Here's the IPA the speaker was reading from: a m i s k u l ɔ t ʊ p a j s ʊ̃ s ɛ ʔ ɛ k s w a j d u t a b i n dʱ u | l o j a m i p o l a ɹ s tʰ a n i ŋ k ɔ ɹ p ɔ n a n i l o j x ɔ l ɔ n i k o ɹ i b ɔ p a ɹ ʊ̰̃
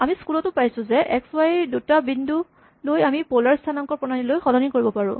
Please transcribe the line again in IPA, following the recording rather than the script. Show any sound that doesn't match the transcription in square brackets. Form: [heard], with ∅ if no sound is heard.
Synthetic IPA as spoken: a m i s k u l ɔ t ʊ p a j s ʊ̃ [z] ɛ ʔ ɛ k s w a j d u t a b i n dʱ u | l o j a m i p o l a ɹ s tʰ a n [a] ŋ k ɔ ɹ p ɔ n a n i l o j x ɔ l ɔ n i k o ɹ i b ɔ p a ɹ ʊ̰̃